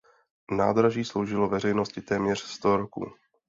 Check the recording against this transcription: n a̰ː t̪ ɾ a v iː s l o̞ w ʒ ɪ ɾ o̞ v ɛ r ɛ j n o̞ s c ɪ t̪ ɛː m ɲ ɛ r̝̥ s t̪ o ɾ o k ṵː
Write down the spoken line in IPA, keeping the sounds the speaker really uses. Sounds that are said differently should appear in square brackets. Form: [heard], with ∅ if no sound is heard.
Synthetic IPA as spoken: n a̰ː [d̪] ɾ a [ʒ] iː s l o̞ w ʒ ɪ [l] o̞ v ɛ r ɛ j n o̞ s c ɪ t̪ ɛː m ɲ ɛ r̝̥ s t̪ o ɾ o k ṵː